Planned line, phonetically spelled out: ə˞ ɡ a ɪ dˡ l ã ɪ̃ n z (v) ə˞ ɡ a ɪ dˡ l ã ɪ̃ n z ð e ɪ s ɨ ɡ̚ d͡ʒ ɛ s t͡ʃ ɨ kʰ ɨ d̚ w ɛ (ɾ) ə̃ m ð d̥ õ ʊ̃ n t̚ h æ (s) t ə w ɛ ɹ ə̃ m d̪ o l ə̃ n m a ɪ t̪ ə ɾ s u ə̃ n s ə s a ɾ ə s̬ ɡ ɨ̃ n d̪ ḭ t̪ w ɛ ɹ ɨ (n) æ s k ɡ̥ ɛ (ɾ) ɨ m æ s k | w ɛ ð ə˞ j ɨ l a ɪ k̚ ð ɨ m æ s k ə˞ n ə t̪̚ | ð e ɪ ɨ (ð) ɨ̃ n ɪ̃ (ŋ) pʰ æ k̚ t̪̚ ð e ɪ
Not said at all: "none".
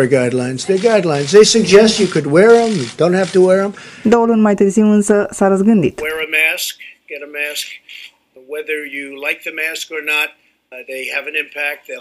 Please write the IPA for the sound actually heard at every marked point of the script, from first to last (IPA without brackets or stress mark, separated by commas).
ð, ɹ, f, m, ɾ, v, m